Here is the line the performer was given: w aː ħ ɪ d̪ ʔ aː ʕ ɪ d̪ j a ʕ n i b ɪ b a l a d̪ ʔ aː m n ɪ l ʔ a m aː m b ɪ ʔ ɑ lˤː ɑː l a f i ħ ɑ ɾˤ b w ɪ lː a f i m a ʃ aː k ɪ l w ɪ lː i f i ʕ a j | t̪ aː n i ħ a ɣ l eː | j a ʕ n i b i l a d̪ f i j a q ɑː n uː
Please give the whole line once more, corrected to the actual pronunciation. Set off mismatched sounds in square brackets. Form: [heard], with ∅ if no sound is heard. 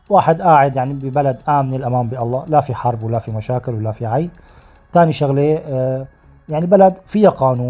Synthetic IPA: w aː ħ ɪ d̪ ʔ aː ʕ ɪ d̪ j a ʕ n i b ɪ b a l a d̪ ʔ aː m n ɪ l ʔ a m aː m b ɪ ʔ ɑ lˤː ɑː l a f i ħ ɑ ɾˤ b w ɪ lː a f i m a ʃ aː k ɪ l w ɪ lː [a] f i ʕ a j | t̪ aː n i [ʃ] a ɣ l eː | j a ʕ n i b [a] l a d̪ f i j a q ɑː n uː